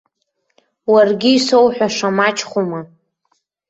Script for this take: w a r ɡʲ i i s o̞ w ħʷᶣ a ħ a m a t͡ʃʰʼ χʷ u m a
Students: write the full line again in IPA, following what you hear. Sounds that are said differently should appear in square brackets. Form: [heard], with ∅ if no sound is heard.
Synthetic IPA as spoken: w a r ɡʲ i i s o̞ w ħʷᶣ a [ʂ] a m a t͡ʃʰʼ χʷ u m a